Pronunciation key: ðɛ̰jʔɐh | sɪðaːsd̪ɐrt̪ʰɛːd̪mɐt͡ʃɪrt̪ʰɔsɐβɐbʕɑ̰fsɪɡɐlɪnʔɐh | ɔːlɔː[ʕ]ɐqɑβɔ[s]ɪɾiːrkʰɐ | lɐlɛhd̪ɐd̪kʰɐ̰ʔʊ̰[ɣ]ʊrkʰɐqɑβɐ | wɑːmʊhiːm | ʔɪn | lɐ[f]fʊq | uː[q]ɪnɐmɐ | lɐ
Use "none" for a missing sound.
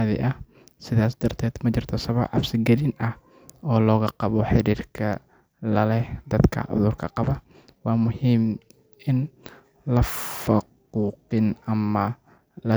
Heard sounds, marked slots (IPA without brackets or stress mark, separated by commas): ɣ, ħ, ð, f, q